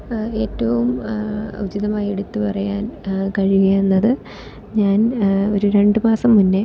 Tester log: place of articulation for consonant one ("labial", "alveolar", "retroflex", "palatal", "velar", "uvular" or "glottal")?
alveolar